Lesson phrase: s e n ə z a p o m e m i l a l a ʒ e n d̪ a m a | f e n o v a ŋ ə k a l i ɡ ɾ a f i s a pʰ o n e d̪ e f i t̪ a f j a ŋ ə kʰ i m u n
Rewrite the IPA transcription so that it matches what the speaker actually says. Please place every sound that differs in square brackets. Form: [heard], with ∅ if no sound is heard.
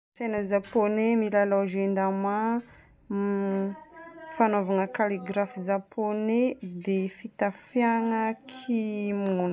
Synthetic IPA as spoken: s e n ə z a p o [n] e m i l a l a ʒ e n d̪ a m a | f [a] n o v a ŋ ə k a l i ɡ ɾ a f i [z] a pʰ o n e d̪ e f i t̪ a f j a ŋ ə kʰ i m u n